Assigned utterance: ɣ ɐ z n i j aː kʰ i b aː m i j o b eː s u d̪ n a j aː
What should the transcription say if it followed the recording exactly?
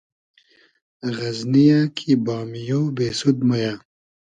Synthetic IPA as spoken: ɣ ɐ z n i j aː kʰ i b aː m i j o b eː s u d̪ m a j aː